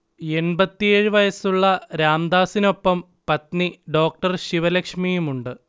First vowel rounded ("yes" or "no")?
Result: no